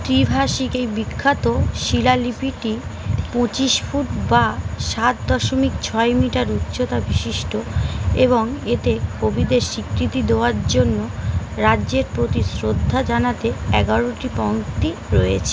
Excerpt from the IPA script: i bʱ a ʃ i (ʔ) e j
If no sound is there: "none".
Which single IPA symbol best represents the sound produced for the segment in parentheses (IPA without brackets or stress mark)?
k